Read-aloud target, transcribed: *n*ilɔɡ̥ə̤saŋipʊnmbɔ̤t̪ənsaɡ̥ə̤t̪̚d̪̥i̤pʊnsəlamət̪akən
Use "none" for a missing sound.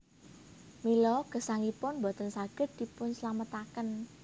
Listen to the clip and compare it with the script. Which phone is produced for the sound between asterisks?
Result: m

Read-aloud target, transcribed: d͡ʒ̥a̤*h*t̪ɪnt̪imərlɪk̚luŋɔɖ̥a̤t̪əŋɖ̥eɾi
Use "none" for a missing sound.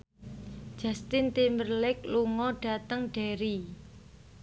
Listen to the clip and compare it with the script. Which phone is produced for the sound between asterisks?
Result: s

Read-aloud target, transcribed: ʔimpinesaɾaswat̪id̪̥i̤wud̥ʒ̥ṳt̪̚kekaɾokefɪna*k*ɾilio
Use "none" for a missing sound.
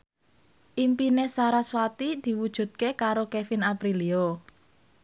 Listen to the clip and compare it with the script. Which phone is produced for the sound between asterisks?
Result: p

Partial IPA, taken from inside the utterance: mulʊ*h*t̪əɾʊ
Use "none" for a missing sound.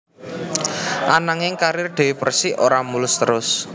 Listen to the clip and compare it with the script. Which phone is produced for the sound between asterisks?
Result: s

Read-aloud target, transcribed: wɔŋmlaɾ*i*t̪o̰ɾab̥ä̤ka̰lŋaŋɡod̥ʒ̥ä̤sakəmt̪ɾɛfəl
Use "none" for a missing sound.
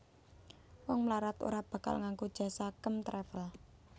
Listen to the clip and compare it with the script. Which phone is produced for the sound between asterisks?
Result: a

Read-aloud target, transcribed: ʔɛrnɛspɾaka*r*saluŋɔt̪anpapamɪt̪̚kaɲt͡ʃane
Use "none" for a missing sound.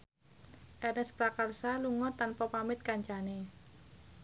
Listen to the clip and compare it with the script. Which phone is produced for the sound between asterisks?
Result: r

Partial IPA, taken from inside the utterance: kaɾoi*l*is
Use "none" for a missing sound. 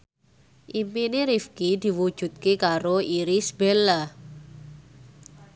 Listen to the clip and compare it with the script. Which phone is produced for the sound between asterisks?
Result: ɾ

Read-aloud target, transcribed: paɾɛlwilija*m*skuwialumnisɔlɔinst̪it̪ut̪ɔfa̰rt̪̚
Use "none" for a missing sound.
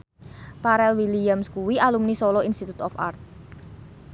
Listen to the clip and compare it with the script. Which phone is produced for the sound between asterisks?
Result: m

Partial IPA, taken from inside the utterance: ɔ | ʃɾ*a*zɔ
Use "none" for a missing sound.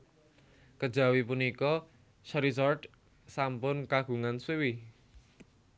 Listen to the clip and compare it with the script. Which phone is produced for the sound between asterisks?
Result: i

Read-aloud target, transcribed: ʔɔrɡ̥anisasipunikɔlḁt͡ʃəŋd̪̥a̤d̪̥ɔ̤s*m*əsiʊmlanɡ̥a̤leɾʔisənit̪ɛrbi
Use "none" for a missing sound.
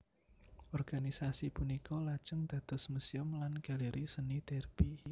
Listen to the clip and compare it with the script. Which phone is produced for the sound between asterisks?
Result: m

